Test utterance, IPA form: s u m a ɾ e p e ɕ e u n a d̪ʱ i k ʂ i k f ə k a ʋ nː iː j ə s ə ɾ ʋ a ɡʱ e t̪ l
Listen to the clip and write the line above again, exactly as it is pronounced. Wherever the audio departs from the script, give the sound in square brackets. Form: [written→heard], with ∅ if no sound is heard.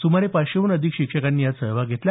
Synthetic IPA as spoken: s u m a ɾ e p [e→a] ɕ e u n [a→ə] d̪ʱ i k [ʂ→ɕ] i k [f→ʂ] ə k a [ʋ→∅] nː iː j [ə→a] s ə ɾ ʋ a ɡʱ e t̪ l